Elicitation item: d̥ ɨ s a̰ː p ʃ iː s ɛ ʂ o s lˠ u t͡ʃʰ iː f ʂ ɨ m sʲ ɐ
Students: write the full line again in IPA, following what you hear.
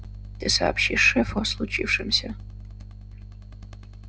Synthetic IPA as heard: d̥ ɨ s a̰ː p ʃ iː ʂ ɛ f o s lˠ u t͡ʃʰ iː f ʂ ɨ m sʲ ɐ